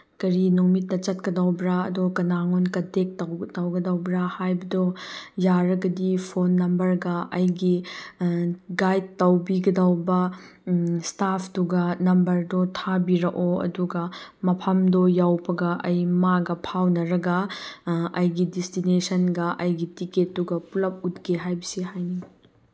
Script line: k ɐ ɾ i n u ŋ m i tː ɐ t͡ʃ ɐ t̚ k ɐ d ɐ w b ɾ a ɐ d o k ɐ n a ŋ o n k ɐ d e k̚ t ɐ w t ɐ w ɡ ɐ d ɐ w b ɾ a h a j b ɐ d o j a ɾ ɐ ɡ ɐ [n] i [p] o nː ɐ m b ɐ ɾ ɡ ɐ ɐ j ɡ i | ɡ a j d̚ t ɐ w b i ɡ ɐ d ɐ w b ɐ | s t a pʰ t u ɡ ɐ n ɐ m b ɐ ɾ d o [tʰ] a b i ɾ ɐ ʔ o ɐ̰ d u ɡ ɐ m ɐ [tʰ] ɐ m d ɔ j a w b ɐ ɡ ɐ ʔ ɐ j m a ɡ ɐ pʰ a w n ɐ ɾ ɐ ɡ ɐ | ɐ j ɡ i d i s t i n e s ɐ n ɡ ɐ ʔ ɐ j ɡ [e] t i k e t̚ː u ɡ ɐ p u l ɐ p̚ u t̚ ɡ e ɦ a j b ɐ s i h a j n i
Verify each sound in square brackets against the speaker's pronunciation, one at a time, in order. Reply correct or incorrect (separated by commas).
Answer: incorrect, incorrect, correct, incorrect, incorrect